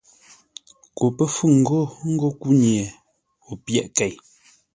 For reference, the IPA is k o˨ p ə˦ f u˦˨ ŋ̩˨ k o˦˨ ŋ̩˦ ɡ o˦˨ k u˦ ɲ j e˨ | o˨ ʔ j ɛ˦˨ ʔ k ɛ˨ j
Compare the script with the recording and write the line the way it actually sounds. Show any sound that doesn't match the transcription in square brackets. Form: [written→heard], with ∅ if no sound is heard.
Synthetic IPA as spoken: k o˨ p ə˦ f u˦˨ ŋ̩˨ [k→ɡ] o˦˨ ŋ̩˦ ɡ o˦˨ k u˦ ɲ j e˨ | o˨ [ʔ→p] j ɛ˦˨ ʔ k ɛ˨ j

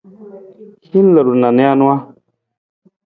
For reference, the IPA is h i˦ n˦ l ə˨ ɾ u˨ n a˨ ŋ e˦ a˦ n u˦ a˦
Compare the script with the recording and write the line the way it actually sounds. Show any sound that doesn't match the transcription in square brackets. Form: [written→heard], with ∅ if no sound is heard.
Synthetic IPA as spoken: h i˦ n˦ l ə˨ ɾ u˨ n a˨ [ŋ→n] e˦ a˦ n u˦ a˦

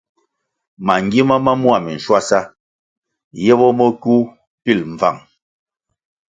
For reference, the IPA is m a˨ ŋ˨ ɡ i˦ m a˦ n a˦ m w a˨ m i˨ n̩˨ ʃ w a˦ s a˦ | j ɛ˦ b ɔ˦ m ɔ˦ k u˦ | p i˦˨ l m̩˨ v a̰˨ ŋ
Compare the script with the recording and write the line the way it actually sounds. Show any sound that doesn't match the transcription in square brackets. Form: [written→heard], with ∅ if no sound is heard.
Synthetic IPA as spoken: m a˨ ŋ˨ ɡ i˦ m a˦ [n→m] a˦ m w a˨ m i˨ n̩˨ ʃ w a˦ s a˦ | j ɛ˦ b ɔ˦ m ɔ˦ k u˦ | p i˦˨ l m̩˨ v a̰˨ ŋ

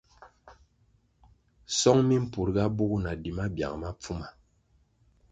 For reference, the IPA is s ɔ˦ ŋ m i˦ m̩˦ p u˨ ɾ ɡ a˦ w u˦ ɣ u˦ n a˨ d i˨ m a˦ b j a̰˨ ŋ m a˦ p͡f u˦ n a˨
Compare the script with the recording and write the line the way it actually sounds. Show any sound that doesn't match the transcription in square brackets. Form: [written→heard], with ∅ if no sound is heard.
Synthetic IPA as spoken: s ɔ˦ ŋ m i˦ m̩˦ p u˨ ɾ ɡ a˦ [w→b] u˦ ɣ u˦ n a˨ d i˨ m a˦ b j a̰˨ ŋ m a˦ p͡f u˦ [n→m] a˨

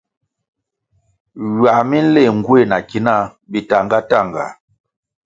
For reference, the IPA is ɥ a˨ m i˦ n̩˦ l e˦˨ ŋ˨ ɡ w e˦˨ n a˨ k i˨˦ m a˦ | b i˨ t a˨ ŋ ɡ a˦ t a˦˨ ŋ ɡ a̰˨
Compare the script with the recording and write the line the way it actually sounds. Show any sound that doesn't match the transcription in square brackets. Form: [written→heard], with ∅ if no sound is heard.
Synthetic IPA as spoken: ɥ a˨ m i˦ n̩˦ l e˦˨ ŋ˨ ɡ w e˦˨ n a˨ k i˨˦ [m→n] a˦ | b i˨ t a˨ ŋ ɡ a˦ t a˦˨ ŋ ɡ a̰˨

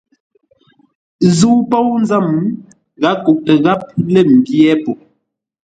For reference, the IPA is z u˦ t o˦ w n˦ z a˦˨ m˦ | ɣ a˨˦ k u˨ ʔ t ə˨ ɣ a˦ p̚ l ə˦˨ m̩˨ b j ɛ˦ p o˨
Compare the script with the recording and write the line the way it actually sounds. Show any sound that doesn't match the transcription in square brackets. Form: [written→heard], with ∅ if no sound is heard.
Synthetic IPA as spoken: z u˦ [t→p] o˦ w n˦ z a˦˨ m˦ | ɣ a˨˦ k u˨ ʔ t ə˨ ɣ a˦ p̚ l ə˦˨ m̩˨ b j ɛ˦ p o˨

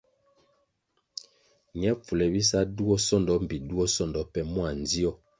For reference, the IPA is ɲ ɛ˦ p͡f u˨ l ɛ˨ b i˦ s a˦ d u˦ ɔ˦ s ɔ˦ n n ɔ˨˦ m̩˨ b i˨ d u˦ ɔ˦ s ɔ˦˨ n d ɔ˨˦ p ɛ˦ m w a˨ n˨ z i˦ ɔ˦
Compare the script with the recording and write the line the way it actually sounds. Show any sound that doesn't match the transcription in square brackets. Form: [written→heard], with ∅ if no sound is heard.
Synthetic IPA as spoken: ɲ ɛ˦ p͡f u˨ l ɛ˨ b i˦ s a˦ d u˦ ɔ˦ s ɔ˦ n [n→d] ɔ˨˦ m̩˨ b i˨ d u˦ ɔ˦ s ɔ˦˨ n d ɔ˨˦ p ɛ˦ m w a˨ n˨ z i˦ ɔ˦

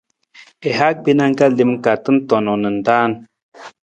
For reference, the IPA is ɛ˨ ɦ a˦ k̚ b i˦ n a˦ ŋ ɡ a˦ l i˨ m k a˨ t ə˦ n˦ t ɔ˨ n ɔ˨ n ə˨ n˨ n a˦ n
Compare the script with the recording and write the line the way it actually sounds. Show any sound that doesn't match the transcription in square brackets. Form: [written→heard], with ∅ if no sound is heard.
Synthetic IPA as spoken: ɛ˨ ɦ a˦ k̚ b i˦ n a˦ ŋ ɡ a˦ l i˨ m k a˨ t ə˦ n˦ t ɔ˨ n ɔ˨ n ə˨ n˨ [n→d] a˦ n

